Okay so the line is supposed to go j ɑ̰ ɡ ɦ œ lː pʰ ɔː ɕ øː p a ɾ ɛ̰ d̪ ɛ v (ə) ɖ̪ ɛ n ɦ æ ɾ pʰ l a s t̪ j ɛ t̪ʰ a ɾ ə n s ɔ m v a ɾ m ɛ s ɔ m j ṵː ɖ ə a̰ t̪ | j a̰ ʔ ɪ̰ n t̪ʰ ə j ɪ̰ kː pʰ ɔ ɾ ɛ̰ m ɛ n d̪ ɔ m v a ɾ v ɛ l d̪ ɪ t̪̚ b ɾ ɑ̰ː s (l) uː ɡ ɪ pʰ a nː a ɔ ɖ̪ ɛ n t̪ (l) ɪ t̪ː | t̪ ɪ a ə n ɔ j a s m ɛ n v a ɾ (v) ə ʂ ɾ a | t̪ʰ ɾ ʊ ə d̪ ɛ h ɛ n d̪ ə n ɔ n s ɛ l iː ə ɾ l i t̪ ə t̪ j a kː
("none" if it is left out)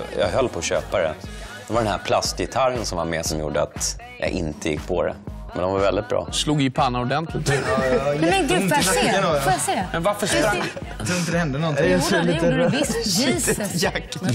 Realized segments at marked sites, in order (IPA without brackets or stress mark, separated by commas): a, l, l, f